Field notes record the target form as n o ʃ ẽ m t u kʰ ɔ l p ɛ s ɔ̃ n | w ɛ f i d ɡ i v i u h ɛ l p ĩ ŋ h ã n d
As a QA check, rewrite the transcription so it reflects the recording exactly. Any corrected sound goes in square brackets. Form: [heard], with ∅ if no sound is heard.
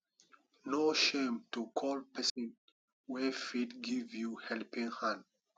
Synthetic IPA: n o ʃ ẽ m t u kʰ ɔ l p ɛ s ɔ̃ n | w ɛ f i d ɡ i v [j] u h ɛ l p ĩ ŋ h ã n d